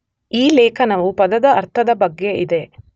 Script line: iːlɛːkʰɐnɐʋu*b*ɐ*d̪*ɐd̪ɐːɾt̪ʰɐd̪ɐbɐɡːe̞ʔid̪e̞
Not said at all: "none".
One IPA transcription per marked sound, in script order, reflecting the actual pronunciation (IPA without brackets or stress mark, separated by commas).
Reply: p, d̪